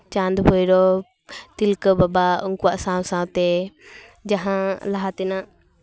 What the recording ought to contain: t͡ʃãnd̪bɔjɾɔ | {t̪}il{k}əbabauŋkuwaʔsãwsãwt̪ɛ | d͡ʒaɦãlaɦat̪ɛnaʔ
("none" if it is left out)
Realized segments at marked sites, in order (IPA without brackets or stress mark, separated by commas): t̪, k